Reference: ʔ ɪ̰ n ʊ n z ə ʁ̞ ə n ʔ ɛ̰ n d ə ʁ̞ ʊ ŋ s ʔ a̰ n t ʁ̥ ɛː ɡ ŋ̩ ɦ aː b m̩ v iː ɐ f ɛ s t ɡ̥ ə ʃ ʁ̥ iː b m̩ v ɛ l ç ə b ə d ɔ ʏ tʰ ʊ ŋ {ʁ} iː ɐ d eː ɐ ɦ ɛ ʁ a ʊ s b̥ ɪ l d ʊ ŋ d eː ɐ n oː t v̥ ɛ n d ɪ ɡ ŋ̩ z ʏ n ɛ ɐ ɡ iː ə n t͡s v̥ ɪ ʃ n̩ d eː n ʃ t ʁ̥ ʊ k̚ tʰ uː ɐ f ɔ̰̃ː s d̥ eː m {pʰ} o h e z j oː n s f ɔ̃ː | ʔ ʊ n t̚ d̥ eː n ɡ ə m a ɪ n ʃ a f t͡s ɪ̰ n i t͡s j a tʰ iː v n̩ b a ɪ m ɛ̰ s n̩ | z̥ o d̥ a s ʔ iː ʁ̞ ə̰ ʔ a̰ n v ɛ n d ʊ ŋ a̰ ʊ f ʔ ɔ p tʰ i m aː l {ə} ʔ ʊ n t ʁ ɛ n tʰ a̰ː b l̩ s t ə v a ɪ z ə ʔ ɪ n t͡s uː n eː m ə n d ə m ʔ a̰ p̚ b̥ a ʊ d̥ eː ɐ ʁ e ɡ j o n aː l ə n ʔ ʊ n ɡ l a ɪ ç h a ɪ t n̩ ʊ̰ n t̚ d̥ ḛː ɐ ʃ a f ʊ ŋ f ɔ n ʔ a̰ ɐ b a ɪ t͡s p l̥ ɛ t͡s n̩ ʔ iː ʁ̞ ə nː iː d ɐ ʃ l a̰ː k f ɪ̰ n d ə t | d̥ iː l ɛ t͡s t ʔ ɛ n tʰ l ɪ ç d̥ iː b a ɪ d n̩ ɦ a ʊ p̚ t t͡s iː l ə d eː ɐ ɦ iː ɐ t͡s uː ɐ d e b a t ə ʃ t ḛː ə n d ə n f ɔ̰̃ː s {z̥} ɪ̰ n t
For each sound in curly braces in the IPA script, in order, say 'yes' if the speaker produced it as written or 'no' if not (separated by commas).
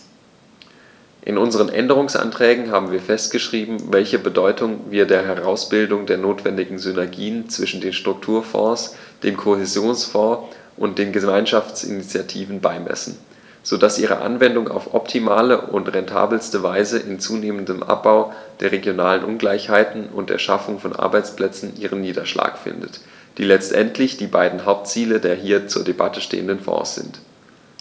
no, no, yes, yes